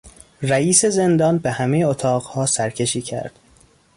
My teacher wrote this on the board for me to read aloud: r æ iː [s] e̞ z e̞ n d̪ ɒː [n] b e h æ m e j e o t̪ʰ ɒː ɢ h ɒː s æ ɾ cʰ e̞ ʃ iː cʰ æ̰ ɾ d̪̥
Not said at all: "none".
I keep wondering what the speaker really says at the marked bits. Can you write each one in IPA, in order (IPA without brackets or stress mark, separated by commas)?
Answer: s, n